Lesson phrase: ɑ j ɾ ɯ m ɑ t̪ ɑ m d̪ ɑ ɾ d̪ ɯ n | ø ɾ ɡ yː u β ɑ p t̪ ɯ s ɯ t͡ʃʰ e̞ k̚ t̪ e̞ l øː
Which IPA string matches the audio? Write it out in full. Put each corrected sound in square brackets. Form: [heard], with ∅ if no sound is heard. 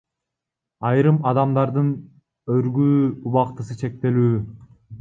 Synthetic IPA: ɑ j ɾ ɯ m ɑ [d̪] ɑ m d̪ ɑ ɾ d̪ ɯ n | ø ɾ ɡ yː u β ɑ [q] t̪ ɯ s ɯ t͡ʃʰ e̞ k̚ t̪ e̞ l [yː]